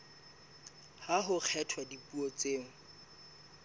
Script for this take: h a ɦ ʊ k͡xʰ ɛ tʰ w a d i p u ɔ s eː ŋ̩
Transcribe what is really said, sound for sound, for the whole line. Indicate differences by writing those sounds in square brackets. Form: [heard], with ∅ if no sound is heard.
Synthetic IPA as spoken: h a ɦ ʊ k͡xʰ ɛ tʰ w a d i p u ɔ [t͡s] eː ŋ̩